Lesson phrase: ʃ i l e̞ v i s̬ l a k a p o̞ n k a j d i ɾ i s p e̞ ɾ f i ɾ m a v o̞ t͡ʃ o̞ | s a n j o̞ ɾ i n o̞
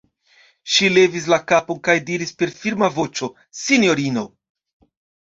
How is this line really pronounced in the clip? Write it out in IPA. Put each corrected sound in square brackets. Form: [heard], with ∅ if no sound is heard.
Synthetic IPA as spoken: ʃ i l e̞ v i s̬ l a k a p o̞ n k a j d i ɾ i s p e̞ ɾ f i ɾ m a v o̞ t͡ʃ o̞ | s [i] n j o̞ ɾ i n o̞